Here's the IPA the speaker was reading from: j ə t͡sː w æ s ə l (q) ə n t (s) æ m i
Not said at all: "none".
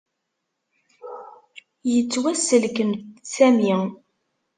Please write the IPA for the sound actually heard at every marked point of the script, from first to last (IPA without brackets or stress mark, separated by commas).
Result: k, s